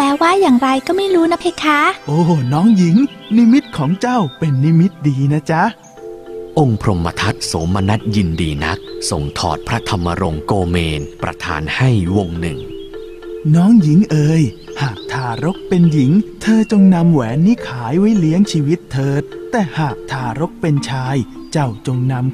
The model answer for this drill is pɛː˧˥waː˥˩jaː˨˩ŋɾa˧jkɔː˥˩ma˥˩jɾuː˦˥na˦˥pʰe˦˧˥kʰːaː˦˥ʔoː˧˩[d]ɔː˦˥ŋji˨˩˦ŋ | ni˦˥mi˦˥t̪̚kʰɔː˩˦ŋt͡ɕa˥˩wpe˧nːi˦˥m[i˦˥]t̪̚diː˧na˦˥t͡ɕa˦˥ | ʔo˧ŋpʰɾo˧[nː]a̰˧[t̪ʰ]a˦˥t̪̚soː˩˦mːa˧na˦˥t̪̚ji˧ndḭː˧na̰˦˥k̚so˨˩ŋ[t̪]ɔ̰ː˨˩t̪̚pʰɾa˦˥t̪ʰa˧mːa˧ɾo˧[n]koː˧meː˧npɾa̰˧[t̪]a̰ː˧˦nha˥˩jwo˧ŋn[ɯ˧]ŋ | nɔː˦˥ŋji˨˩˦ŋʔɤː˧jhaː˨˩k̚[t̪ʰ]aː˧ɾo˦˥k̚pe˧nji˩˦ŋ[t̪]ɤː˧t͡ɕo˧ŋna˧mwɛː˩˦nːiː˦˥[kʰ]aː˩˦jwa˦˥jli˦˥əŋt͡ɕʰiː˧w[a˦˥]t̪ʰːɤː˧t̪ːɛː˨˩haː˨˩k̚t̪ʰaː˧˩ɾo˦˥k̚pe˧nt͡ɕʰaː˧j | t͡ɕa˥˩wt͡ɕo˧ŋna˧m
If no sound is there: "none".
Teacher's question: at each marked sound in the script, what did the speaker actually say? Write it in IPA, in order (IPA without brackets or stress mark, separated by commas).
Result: n, i˦˥, mː, t̪ʰ, t̪ʰ, ŋ, t̪ʰ, ɯ˨˩, t̪ʰ, t̪ʰ, kʰ, i˦˥